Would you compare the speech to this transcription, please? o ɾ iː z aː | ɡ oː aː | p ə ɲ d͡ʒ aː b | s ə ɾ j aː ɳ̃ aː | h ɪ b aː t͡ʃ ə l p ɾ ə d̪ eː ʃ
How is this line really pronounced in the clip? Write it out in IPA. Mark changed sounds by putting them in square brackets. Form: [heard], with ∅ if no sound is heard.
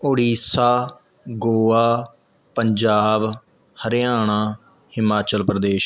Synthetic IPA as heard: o [ɽ] iː [s] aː | ɡ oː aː | p ə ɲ d͡ʒ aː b | [h] ə ɾ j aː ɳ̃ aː | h ɪ [m] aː t͡ʃ ə l p ɾ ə d̪ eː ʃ